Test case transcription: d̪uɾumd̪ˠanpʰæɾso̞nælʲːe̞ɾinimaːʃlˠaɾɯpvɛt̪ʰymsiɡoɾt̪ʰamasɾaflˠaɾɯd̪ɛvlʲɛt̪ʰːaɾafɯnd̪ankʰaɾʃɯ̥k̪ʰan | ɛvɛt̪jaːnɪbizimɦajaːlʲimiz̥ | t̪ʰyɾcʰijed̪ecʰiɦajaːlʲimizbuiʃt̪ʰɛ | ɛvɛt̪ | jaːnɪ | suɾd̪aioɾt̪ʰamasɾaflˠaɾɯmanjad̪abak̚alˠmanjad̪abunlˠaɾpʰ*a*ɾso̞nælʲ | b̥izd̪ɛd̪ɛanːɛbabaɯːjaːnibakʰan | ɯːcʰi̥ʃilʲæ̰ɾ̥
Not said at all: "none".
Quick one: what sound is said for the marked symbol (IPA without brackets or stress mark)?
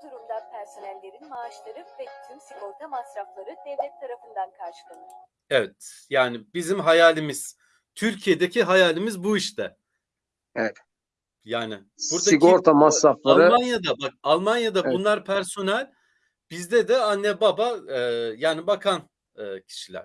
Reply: æ